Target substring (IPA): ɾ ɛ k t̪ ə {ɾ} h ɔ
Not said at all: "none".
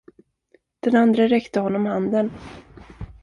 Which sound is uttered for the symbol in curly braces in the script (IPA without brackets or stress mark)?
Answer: none